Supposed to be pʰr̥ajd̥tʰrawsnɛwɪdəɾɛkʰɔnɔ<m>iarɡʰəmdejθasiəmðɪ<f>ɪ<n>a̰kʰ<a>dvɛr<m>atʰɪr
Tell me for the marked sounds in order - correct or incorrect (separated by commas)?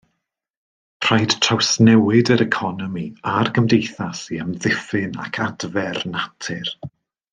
correct, correct, correct, correct, incorrect